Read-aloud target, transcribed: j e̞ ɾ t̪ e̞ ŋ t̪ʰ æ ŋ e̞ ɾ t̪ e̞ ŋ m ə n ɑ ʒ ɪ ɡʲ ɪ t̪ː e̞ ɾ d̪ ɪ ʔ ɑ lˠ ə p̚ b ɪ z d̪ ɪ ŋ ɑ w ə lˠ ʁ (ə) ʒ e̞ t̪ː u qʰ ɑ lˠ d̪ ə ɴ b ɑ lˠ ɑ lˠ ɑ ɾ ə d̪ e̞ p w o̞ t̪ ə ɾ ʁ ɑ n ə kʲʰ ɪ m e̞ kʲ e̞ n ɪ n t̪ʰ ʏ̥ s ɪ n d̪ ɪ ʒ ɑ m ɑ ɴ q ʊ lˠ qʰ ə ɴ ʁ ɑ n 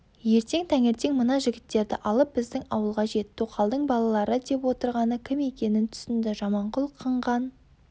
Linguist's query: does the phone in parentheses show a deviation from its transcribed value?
yes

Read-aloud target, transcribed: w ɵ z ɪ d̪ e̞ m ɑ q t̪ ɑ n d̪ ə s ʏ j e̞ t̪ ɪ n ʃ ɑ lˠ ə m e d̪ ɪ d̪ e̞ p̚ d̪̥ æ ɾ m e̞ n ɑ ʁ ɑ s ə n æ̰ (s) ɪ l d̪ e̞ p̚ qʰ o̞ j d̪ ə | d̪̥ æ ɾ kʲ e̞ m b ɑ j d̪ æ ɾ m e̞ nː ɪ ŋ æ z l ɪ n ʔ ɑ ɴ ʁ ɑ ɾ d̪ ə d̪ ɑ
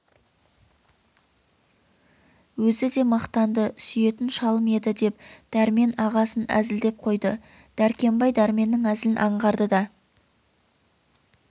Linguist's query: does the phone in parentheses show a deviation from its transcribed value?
yes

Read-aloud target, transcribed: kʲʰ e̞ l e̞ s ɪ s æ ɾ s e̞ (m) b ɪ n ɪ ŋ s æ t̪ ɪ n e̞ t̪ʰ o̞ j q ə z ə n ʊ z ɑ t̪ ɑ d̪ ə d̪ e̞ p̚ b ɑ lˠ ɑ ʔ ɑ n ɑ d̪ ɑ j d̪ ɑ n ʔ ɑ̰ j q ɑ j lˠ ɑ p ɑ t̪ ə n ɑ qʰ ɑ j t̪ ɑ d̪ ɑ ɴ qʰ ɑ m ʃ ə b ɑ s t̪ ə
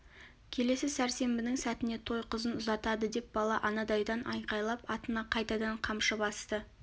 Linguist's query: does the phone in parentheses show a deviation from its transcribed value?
no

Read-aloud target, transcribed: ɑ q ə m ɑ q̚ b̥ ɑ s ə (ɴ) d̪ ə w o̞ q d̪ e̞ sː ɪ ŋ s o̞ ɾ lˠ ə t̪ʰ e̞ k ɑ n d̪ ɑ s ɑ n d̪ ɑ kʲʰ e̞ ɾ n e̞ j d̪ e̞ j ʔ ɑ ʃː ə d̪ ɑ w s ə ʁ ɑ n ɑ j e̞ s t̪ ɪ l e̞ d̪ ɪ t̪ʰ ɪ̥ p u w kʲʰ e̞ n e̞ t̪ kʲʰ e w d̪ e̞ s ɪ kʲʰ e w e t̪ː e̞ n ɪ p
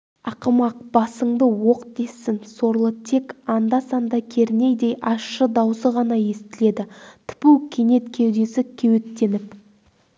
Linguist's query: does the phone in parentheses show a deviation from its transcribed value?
no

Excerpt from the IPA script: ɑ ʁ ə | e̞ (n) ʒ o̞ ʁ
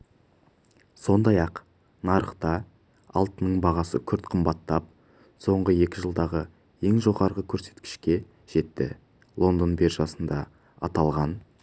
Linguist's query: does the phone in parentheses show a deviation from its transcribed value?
yes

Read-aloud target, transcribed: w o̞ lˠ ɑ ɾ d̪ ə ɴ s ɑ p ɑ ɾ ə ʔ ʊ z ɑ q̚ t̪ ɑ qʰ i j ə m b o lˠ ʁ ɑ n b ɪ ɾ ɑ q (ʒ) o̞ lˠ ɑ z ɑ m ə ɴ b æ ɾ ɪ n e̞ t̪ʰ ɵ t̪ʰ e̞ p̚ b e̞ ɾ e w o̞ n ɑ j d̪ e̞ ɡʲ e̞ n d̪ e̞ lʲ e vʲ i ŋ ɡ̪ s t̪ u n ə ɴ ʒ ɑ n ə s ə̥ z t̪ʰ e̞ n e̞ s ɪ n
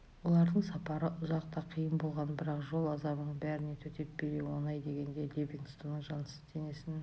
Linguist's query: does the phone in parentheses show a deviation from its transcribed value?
no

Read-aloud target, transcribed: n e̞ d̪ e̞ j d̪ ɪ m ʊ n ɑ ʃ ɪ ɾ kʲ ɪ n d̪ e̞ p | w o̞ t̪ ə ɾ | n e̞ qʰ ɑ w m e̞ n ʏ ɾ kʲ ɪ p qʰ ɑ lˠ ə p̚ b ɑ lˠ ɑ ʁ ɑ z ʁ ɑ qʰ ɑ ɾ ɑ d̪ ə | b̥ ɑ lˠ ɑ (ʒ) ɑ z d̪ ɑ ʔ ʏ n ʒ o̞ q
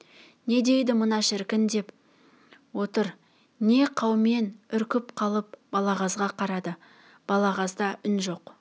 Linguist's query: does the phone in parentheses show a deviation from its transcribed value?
yes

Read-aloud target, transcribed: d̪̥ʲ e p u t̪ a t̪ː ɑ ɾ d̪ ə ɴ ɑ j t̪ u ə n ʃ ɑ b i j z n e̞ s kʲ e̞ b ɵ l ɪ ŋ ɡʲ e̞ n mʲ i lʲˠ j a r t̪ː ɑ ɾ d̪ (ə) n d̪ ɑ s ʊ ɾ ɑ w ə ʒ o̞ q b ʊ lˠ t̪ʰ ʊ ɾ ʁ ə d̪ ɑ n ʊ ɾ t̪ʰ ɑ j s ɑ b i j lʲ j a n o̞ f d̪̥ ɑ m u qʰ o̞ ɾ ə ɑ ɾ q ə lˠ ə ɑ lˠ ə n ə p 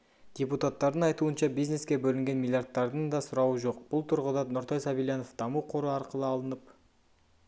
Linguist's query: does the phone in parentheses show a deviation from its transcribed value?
no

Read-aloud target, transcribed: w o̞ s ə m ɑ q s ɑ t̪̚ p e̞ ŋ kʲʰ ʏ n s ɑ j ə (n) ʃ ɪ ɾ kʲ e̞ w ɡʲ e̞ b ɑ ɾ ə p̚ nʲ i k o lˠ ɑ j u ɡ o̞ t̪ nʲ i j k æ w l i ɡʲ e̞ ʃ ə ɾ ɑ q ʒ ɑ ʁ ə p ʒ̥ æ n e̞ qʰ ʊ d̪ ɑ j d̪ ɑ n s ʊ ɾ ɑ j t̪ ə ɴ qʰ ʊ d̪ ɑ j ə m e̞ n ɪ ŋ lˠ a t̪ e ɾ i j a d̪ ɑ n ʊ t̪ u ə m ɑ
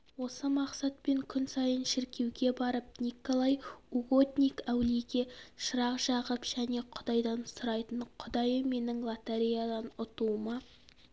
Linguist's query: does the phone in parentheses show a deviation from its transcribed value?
no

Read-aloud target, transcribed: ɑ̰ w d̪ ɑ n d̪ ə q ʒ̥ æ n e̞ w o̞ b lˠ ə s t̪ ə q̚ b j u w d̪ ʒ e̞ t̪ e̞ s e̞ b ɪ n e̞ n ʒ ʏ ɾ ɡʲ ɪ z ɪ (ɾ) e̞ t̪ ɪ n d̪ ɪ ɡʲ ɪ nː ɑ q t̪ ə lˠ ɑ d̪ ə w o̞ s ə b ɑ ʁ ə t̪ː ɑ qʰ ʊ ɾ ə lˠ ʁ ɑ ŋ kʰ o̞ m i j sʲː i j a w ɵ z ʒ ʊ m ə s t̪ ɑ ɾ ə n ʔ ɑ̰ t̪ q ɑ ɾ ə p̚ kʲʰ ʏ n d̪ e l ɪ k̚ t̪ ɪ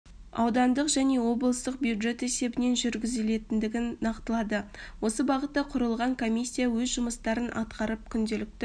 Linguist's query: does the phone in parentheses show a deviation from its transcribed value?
yes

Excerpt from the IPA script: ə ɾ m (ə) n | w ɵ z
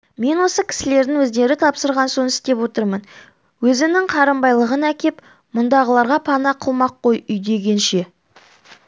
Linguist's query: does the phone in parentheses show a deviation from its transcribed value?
no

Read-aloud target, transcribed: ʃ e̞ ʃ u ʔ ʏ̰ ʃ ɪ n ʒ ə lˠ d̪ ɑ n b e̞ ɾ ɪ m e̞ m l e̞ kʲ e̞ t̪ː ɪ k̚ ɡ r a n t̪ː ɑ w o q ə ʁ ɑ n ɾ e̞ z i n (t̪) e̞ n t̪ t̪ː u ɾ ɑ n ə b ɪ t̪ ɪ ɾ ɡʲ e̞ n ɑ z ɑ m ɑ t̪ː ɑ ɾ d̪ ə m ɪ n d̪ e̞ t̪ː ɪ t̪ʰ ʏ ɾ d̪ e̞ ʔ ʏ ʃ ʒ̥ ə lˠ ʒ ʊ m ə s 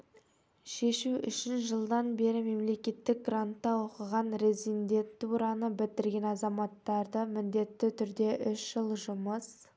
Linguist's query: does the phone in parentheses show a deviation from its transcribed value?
yes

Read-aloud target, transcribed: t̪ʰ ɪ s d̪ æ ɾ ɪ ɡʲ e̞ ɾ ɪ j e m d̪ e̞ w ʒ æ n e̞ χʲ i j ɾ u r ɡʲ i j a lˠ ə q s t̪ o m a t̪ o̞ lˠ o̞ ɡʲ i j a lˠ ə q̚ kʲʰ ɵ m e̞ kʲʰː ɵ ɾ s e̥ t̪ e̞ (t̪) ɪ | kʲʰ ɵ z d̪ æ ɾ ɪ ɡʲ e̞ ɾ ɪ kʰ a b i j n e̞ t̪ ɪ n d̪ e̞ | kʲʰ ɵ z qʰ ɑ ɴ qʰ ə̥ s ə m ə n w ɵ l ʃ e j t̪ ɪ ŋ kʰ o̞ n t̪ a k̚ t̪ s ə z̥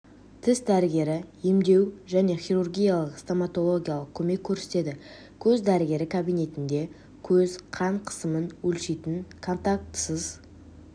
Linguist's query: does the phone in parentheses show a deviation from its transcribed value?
yes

